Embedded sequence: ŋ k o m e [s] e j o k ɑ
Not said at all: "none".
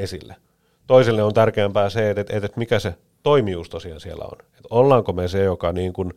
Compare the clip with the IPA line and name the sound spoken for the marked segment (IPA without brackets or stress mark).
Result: s